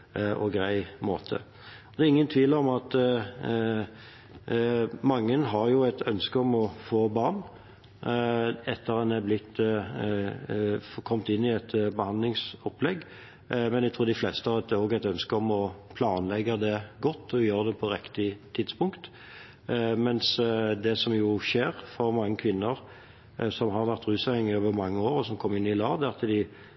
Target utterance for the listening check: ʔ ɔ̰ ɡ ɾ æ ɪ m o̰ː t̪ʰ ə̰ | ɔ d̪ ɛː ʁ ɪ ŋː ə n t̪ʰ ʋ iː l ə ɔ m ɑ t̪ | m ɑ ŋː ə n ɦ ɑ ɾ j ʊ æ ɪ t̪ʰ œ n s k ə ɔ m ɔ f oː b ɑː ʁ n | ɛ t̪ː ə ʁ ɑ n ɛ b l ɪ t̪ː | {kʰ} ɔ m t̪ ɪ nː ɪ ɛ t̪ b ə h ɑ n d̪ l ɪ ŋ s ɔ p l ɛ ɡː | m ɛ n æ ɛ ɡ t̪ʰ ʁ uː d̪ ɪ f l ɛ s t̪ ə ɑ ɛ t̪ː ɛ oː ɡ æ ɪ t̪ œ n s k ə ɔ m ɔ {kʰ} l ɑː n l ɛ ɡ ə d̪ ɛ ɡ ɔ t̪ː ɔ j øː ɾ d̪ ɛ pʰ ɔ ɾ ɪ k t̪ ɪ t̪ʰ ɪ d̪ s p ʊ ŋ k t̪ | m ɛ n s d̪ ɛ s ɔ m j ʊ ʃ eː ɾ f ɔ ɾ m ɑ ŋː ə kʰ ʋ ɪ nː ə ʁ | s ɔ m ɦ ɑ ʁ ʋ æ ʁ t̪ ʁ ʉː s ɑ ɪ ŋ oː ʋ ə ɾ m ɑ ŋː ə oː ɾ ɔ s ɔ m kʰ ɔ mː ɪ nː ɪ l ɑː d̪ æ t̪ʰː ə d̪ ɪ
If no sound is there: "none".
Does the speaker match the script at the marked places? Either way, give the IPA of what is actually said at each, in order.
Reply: kʰ, pʰ

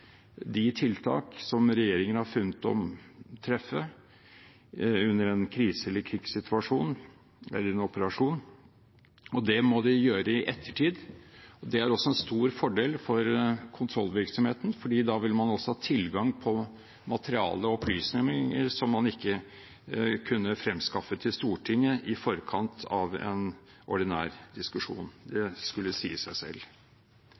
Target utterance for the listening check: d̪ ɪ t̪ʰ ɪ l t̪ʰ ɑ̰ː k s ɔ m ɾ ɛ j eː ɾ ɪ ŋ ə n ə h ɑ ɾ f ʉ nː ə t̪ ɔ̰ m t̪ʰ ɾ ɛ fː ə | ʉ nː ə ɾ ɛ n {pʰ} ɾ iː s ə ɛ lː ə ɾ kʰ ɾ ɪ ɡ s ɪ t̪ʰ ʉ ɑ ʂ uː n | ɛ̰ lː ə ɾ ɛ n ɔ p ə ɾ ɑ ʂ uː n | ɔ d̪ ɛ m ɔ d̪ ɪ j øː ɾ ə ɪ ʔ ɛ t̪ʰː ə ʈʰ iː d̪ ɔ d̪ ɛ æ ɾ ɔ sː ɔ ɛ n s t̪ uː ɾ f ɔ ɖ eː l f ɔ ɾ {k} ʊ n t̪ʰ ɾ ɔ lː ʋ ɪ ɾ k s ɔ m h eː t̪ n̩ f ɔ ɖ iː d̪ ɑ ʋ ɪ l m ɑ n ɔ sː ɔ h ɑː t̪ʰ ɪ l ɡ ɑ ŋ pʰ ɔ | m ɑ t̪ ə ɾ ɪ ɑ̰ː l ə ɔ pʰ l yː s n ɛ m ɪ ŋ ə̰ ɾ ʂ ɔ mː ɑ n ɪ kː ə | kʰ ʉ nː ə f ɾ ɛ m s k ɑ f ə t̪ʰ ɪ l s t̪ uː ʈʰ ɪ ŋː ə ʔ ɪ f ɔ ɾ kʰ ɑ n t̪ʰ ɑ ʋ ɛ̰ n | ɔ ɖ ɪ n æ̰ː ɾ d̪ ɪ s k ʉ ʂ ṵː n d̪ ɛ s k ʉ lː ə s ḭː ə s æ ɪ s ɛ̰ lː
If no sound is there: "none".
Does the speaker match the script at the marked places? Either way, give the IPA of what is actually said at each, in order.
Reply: kʰ, kʰ

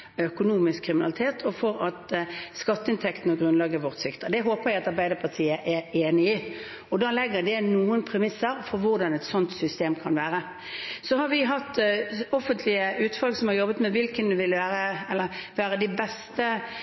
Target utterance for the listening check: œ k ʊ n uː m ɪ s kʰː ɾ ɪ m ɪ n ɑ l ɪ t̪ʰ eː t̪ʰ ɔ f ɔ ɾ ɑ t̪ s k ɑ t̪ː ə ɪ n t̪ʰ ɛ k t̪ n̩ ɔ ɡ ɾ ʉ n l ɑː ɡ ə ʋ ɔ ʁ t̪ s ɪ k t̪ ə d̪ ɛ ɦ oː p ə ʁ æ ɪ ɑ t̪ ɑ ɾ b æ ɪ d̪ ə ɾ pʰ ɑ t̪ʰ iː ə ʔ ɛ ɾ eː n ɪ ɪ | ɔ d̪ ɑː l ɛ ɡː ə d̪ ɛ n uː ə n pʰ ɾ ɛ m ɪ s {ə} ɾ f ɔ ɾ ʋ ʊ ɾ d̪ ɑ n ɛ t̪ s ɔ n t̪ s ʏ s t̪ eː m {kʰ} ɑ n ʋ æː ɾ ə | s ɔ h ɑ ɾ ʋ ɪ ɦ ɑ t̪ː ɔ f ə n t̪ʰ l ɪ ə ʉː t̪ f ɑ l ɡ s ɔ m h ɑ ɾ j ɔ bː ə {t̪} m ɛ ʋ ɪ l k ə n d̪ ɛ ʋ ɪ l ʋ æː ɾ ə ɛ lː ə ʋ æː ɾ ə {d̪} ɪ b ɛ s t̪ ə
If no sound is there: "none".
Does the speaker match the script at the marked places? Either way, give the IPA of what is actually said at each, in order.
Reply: ə, kʰ, t̪, d̪

